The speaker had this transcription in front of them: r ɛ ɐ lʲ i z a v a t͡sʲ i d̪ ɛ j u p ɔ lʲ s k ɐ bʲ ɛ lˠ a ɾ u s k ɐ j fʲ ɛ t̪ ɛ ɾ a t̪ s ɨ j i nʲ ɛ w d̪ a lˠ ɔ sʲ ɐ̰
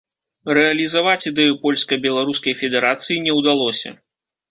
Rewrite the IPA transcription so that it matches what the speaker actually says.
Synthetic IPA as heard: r ɛ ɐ lʲ i z a v a t͡sʲ i d̪ ɛ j u p ɔ lʲ s k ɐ bʲ ɛ lˠ a ɾ u s k ɐ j fʲ ɛ d̪ ɛ ɾ a t̪ s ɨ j i nʲ ɛ w d̪ a lˠ ɔ sʲ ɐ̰